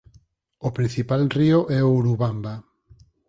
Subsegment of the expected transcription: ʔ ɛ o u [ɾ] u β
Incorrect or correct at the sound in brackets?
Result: correct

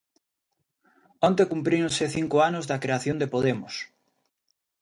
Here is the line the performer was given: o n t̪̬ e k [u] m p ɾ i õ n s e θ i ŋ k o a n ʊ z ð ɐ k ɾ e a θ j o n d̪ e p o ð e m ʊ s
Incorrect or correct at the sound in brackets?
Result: correct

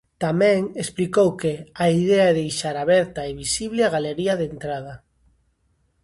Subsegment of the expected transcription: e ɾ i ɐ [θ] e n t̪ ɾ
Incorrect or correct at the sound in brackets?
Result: incorrect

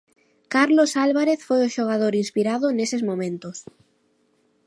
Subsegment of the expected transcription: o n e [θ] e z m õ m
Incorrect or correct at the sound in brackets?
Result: incorrect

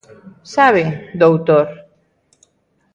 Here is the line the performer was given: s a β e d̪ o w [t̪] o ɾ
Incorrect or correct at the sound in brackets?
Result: correct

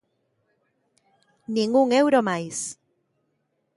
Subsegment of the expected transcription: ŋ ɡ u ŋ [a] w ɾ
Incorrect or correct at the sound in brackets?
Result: incorrect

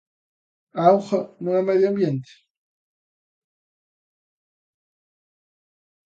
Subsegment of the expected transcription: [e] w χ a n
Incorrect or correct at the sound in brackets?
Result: incorrect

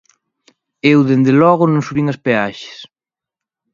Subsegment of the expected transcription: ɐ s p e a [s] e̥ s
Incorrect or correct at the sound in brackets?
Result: incorrect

